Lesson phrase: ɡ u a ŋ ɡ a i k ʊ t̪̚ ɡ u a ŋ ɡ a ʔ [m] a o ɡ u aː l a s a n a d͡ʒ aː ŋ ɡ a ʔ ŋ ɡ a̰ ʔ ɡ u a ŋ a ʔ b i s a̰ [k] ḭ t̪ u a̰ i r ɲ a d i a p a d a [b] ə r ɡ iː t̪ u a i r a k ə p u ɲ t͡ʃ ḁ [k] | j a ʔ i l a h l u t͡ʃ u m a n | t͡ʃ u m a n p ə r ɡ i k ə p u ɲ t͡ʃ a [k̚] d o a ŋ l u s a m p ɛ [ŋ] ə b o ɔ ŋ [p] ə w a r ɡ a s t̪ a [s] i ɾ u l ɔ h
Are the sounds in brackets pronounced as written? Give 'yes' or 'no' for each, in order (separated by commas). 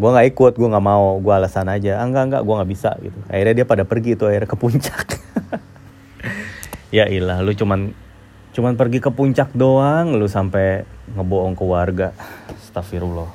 yes, no, no, yes, yes, yes, no, no